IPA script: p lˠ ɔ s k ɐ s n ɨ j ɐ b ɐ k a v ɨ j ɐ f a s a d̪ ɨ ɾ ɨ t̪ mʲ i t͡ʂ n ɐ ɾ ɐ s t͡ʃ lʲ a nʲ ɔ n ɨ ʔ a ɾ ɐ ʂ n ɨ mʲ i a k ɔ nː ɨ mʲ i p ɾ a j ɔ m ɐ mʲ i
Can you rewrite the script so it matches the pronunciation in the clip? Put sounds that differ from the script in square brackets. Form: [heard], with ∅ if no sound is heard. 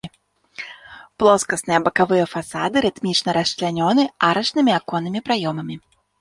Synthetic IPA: p lˠ ɔ s k ɐ s n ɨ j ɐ b ɐ k a v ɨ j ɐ f a s a d̪ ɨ ɾ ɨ t̪ mʲ i t͡ʂ n ɐ ɾ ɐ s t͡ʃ lʲ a nʲ ɔ n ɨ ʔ a ɾ ɐ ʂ n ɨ mʲ i a k ɔ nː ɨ mʲ i p ɾ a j ɔ m ɐ mʲ i